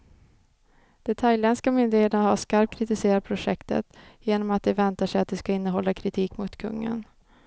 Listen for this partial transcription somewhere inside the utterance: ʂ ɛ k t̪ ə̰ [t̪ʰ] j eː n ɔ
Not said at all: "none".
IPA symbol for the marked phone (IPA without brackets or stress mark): t̪